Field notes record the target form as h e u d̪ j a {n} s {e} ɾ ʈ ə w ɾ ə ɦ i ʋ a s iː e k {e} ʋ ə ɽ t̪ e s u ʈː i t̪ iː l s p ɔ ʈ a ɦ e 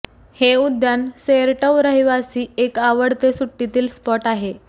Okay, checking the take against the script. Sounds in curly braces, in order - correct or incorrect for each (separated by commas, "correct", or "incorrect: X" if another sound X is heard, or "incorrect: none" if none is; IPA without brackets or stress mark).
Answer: correct, correct, incorrect: a